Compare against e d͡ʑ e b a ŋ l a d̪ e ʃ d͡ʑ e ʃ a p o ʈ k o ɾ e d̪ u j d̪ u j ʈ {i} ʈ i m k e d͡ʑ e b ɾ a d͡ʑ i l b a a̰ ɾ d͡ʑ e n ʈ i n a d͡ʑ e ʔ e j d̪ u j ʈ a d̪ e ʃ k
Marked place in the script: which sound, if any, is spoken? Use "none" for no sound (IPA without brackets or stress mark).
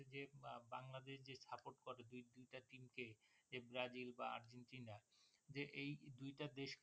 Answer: a